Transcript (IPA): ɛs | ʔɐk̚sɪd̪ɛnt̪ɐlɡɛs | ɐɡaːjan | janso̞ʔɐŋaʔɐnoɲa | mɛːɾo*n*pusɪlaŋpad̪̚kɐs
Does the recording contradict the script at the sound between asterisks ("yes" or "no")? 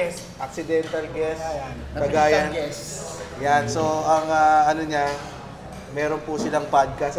no